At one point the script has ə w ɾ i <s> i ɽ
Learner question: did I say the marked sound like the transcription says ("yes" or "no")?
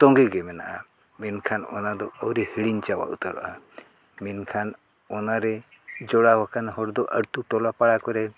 no